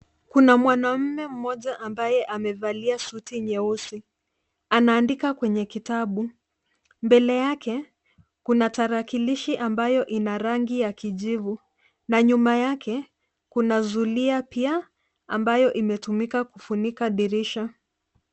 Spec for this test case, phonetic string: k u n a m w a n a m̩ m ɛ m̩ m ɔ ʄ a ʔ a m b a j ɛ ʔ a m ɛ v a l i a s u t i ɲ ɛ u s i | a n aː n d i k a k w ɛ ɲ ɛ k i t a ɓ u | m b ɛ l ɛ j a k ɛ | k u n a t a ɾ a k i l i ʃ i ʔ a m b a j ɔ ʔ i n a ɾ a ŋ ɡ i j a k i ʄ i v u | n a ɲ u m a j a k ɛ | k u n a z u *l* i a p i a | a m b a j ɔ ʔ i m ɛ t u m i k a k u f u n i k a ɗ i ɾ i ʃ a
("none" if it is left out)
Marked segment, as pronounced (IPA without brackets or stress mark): l